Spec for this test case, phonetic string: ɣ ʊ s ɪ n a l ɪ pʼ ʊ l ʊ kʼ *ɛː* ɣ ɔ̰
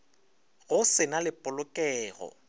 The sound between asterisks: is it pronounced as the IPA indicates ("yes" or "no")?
yes